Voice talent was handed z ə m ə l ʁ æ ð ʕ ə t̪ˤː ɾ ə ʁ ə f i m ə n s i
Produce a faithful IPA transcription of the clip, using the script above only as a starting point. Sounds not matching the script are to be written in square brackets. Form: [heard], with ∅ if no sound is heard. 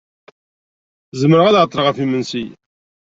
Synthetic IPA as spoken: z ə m ə [ɾ] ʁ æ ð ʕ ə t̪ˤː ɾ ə ʁ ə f i m ə n s i

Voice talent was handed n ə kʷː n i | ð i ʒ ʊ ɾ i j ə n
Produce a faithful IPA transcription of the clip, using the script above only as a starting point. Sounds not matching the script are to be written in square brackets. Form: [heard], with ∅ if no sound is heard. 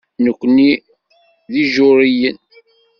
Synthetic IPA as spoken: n ə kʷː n i | ð i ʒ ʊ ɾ i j ə n

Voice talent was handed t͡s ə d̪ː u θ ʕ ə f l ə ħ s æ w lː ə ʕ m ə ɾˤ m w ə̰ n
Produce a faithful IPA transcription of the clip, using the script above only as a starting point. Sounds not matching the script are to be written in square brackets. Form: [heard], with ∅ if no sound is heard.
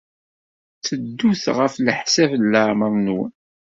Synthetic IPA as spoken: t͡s ə d̪ː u θ [ʁ] ə f l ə ħ s æ [v] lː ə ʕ m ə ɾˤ [n] w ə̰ n

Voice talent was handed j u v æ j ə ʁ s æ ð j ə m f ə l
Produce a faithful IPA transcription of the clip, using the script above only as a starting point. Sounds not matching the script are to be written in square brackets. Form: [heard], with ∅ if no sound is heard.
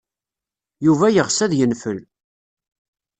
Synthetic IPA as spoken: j u v æ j ə ʁ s æ ð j ə [n] f ə l

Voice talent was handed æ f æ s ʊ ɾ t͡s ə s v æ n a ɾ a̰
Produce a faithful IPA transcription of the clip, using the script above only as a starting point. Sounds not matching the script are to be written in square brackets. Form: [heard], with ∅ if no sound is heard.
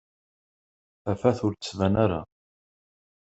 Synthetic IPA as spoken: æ f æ [θ] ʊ ɾ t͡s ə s v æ n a ɾ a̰

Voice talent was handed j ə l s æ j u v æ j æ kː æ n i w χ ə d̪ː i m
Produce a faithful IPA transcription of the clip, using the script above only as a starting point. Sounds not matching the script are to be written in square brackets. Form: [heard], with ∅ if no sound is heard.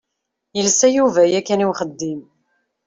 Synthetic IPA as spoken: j ə l s æ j u v æ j æ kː æ n i w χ ə d̪ː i m

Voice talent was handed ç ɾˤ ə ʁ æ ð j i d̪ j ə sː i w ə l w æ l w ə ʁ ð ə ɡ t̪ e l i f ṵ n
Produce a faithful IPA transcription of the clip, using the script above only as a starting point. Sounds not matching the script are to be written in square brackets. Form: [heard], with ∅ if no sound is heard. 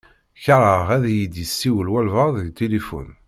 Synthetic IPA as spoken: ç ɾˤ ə ʁ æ ð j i d̪ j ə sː i w ə l w æ l [v] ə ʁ ð ə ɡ t̪ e l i f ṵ n

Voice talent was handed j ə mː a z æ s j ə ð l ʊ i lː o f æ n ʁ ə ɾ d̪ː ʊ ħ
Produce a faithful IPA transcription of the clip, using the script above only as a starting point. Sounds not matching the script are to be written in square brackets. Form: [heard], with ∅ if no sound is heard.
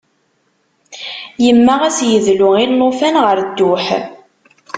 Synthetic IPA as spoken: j ə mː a [ʁ] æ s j ə ð l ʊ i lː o f æ n ʁ ə ɾ d̪ː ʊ ħ

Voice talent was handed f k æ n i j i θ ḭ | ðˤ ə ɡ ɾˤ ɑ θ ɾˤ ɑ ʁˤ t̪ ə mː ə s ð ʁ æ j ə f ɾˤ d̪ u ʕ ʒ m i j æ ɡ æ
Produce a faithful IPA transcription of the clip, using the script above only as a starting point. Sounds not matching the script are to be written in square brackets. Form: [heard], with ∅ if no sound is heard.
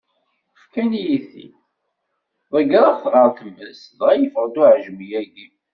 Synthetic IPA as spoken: f k æ n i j i θ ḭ | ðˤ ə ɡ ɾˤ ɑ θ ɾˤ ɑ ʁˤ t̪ ə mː ə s ð ʁ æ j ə f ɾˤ d̪ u ʕ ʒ m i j æ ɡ [i]

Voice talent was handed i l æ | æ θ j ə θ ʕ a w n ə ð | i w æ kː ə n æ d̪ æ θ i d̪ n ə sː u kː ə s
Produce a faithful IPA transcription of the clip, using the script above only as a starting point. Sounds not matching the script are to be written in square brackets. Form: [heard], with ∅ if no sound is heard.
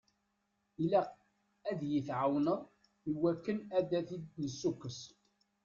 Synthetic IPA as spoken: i l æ | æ [ð] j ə θ ʕ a w n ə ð | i w æ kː ə n æ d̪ æ θ i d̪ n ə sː u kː ə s

